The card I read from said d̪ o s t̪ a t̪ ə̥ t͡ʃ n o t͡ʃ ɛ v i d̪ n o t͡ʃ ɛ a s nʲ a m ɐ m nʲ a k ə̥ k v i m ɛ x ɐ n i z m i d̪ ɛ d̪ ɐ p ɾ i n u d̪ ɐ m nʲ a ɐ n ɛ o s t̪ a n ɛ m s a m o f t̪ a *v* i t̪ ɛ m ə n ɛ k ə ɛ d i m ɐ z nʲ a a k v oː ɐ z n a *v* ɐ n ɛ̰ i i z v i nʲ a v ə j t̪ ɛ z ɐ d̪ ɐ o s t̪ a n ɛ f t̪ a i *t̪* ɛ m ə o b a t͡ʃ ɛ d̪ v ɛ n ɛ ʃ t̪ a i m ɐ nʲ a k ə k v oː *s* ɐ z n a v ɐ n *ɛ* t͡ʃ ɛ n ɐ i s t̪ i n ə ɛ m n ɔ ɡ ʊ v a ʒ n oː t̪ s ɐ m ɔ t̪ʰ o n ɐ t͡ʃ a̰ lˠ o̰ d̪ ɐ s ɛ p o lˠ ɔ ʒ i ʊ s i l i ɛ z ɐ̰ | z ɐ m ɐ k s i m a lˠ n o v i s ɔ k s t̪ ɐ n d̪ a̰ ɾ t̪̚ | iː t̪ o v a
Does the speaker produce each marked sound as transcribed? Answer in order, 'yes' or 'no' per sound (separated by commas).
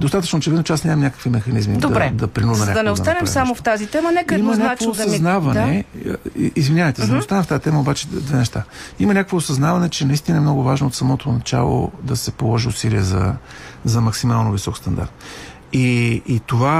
no, yes, yes, yes, yes